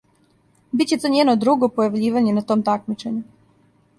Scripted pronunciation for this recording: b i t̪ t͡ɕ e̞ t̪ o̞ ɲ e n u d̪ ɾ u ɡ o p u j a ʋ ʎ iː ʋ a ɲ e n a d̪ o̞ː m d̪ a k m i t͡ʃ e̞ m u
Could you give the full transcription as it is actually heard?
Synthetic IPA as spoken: b i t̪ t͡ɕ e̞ t̪ o̞ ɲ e n o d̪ ɾ u ɡ o p o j a ʋ ʎ iː ʋ a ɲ e n a t̪ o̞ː m t̪ a k m i t͡ʃ e̞ ɲ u

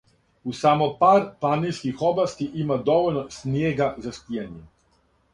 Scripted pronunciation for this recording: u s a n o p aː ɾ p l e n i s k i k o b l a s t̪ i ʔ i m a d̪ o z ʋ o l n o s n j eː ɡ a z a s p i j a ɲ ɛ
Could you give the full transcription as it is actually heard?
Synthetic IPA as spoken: u s a m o p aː ɾ p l a n i s k i x o b l a s t̪ i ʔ i m a d̪ o ʋ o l n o s n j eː ɡ a z a s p i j a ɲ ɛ

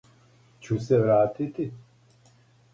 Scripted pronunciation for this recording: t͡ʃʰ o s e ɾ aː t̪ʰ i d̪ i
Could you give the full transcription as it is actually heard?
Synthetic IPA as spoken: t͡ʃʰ u s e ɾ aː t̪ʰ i t̪ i

